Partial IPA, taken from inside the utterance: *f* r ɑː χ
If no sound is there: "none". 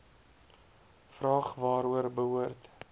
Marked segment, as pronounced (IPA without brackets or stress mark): f